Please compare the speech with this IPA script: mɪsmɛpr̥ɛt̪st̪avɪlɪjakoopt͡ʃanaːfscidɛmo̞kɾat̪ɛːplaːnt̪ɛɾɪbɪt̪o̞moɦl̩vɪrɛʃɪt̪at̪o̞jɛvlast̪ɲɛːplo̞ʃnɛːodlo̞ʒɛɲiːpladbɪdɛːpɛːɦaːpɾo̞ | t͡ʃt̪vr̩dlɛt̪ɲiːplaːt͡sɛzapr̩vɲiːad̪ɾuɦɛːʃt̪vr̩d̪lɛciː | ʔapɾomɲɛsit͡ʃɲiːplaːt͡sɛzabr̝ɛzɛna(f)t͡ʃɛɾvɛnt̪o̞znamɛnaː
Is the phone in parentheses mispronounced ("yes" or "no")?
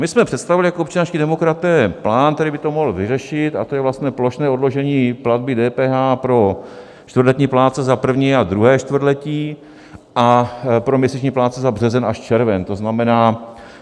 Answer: yes